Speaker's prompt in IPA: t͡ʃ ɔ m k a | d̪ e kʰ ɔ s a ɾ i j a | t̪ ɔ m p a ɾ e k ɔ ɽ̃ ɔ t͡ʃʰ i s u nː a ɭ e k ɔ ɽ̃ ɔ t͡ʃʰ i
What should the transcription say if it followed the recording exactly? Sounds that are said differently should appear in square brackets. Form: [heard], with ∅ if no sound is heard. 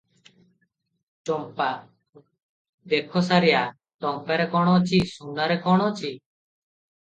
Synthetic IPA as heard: t͡ʃ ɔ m [p] a | d̪ e kʰ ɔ s a ɾ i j a | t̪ ɔ m p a ɾ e k ɔ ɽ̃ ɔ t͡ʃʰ i s u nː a [ɾ] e k ɔ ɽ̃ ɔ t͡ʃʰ i